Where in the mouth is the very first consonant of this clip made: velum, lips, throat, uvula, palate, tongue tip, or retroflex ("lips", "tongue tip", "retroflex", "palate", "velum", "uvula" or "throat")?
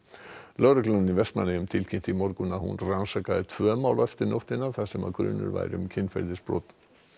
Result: tongue tip